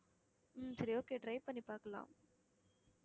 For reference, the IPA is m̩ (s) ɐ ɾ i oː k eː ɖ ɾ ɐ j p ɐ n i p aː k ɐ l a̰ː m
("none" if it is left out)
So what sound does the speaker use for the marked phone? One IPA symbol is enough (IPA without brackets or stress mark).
s